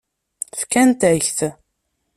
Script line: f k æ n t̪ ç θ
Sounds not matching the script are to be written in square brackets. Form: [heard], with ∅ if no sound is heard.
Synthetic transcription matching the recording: f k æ n t̪ ç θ